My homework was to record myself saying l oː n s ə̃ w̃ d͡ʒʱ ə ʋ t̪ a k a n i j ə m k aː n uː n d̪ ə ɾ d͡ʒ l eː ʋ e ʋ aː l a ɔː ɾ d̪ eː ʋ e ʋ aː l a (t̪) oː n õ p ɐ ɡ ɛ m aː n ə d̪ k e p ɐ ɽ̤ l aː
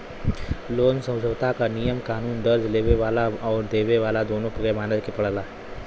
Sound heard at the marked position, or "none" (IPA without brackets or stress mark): d̪